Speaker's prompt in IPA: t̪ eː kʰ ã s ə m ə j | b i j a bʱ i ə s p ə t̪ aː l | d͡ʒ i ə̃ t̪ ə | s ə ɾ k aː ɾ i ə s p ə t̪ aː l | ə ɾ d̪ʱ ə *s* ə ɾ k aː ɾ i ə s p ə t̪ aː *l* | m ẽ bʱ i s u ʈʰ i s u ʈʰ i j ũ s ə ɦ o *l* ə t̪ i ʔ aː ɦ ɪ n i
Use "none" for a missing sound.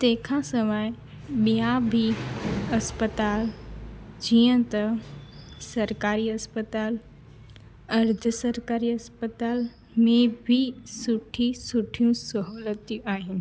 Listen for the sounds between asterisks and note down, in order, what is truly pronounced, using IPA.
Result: s, l, l

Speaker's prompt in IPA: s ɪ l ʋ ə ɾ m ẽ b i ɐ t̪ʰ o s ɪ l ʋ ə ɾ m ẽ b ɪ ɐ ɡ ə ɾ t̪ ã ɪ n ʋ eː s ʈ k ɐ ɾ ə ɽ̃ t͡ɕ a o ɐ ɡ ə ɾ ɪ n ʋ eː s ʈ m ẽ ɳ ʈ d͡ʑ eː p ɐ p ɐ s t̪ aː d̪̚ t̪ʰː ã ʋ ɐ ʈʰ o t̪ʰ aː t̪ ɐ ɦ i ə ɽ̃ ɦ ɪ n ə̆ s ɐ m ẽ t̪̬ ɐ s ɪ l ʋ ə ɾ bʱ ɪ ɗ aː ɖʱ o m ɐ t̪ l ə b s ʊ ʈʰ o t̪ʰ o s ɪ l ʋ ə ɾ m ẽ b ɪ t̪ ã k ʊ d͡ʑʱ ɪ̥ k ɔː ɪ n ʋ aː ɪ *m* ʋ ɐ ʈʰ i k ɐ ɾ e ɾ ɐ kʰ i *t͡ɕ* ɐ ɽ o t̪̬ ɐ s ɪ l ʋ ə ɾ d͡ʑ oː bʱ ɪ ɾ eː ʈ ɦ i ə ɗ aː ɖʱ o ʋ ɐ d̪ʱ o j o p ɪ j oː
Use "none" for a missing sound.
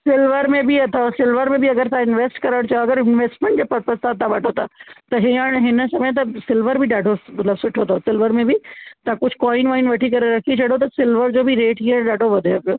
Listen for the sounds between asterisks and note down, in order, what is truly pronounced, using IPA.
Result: n, t͡ɕʰ

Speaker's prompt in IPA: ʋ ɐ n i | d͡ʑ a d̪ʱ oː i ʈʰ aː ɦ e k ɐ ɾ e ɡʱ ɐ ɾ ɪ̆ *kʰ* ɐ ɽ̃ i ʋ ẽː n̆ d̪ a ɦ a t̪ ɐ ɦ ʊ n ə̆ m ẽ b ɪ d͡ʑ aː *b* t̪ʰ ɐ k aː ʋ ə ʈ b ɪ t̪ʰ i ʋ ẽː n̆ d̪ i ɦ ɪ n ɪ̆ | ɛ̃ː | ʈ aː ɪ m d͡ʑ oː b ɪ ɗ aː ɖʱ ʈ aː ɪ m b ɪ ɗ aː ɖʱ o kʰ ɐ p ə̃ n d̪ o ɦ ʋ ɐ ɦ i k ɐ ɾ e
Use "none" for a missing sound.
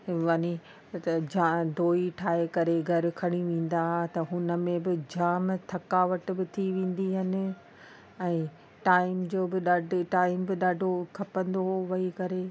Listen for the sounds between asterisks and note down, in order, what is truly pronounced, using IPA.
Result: kʰ, m

